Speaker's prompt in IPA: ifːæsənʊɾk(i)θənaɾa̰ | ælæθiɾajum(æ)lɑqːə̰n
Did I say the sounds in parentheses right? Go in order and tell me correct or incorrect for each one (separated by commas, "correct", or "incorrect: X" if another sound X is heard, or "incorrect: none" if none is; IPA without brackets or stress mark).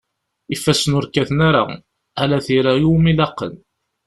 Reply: incorrect: æ, incorrect: i